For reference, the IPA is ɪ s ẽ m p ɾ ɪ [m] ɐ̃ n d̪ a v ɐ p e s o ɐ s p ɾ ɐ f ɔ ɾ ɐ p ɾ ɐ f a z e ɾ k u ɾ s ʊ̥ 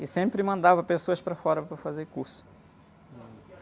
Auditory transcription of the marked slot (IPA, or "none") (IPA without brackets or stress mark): m